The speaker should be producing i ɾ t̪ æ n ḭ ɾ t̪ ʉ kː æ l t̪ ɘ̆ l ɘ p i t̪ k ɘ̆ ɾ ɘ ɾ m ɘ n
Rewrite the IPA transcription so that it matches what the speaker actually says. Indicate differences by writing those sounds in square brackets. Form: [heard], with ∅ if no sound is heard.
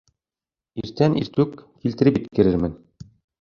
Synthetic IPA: i ɾ t̪ æ n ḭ ɾ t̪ ʉ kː [i] l t̪ ɘ̆ [ɾ] ɘ p i t̪ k ɘ̆ ɾ ɘ ɾ m ɘ n